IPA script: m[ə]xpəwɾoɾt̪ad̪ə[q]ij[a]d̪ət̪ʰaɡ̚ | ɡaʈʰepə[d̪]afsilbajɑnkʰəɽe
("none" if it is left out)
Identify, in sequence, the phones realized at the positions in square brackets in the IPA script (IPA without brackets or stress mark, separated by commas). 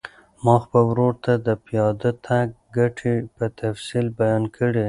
ɑ, p, ɑ, t̪